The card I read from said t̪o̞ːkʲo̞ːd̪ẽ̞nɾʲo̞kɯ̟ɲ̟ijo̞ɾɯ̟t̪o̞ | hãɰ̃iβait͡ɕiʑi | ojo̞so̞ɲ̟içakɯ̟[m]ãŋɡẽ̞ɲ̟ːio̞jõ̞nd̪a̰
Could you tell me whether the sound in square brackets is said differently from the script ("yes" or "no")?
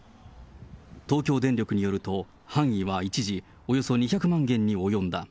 no